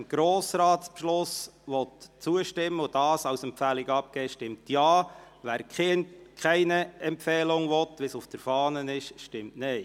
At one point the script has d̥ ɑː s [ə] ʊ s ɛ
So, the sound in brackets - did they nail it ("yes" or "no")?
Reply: no